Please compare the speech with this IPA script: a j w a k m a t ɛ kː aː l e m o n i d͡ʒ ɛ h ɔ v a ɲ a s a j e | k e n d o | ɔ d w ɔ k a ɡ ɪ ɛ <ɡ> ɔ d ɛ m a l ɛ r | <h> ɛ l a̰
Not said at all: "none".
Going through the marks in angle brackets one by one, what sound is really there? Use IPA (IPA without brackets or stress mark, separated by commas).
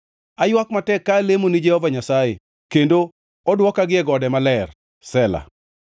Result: ɡ, s